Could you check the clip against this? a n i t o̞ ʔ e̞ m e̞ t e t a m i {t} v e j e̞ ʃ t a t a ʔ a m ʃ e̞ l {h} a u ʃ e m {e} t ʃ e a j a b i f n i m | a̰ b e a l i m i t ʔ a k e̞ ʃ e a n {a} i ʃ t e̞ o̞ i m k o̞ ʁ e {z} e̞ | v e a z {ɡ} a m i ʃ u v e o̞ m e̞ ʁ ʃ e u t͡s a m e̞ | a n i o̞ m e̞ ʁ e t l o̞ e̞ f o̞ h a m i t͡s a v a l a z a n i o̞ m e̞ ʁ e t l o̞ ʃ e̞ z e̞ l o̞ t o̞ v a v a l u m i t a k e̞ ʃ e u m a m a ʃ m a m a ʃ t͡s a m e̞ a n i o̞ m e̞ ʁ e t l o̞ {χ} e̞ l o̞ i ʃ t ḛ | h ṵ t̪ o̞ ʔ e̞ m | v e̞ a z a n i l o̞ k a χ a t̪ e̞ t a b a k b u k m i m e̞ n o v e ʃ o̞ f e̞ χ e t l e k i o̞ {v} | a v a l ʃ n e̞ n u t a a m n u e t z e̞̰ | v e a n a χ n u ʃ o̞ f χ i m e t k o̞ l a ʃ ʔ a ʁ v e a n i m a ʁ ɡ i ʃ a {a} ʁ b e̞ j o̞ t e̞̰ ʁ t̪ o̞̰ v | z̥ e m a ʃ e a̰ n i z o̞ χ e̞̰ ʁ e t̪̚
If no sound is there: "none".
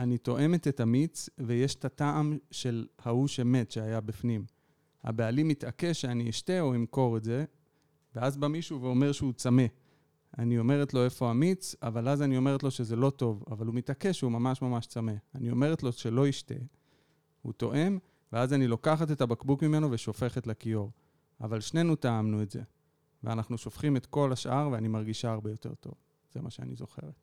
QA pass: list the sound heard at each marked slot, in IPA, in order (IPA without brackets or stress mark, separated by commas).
t͡s, h, e, i, z, b, ʃ, ʁ, a